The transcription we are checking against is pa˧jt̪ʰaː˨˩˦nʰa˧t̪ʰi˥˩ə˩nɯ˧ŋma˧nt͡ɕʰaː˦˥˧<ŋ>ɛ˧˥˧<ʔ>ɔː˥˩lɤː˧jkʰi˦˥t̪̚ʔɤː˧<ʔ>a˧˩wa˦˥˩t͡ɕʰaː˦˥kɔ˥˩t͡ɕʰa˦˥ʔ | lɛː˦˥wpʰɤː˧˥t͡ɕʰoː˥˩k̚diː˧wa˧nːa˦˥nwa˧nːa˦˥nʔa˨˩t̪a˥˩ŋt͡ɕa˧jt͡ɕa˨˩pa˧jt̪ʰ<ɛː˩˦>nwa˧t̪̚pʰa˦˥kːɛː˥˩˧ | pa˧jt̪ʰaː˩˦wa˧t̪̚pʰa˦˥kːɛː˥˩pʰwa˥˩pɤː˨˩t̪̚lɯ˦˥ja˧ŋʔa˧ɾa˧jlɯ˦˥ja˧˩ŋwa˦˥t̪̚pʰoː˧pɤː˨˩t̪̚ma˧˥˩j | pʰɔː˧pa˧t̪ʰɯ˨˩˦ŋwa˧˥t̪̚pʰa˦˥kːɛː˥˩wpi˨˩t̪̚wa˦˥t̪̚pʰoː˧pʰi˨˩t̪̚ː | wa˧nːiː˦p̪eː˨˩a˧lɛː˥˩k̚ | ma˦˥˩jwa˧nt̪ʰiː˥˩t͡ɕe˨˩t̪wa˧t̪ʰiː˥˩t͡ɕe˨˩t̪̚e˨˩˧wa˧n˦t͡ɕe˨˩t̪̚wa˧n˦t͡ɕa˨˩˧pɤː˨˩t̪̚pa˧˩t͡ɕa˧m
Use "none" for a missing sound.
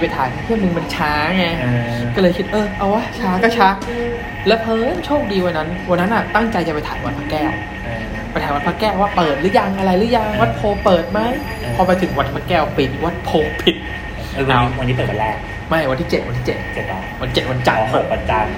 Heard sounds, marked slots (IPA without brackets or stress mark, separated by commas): ŋ, k, ʔ, aː˩˦